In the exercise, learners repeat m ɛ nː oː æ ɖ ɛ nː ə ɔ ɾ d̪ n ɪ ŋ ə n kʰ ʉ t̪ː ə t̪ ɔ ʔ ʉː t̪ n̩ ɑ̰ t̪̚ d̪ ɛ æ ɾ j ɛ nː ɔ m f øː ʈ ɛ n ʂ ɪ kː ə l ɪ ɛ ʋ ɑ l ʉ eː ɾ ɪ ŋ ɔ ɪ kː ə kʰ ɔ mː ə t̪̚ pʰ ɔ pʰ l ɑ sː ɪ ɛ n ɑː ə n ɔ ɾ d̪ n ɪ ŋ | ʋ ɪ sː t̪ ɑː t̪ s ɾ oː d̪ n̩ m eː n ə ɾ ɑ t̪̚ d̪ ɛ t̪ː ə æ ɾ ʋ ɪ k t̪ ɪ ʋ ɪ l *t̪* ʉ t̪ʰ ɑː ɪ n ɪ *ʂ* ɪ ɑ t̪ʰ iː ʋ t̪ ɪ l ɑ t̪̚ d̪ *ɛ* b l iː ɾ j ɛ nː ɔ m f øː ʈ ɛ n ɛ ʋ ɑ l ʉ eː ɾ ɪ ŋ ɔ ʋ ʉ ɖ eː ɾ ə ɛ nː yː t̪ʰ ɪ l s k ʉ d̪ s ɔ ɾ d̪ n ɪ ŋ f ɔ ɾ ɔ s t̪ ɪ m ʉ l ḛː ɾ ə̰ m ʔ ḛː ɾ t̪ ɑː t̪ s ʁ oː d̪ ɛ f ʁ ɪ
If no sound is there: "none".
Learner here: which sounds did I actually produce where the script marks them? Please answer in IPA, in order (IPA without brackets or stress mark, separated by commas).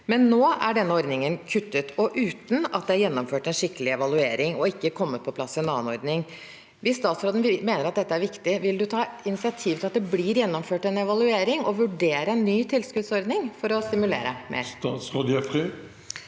d̪, s, ɛ